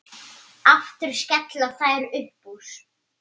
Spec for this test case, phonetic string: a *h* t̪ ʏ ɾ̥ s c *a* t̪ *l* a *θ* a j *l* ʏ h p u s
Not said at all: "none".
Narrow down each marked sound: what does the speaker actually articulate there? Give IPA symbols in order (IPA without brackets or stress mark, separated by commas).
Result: f, ɛ, l, θ, ɾ